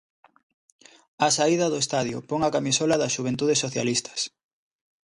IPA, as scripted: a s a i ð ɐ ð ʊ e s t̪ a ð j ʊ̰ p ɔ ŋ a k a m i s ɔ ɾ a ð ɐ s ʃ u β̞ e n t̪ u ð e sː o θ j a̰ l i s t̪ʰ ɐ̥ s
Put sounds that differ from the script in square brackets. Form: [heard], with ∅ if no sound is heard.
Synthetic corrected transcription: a s a i ð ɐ ð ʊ e s t̪ a ð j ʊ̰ p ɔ ŋ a k a m i s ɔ [l] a ð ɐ s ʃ u β̞ e n t̪ u ð e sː o θ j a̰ l i s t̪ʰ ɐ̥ s